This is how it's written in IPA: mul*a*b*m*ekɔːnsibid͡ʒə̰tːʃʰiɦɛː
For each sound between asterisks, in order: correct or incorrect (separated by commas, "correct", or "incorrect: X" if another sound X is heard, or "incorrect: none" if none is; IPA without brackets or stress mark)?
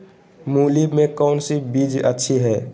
incorrect: i, correct